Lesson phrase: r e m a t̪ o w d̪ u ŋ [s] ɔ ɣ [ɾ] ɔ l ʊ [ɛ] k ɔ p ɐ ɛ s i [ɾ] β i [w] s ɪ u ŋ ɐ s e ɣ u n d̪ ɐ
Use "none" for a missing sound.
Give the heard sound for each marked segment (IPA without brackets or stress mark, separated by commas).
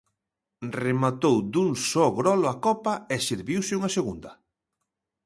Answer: s, ɾ, a, ɾ, w